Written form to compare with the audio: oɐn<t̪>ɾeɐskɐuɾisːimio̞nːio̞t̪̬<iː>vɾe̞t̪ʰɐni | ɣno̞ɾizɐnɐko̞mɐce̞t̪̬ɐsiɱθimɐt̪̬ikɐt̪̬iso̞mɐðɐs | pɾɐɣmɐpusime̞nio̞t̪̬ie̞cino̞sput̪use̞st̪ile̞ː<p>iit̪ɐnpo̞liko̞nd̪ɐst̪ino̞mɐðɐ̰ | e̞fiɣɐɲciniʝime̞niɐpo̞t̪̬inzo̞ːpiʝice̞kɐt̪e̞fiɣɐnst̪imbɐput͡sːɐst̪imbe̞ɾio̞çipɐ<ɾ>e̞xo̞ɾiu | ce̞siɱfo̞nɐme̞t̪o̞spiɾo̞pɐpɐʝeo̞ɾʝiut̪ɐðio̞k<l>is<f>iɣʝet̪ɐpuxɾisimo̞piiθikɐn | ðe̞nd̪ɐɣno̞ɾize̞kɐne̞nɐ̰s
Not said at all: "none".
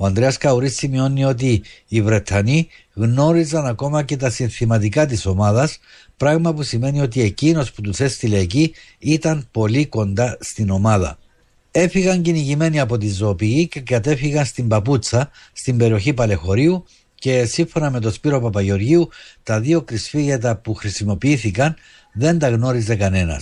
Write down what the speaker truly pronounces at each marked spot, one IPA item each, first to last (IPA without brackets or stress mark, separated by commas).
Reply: d̪, iː, c, l, ɾ, f